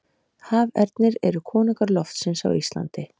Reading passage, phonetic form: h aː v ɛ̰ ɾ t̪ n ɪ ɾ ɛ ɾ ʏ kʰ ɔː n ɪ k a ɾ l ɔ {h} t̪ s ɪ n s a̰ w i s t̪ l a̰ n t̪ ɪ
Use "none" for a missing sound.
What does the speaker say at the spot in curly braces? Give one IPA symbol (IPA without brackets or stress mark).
f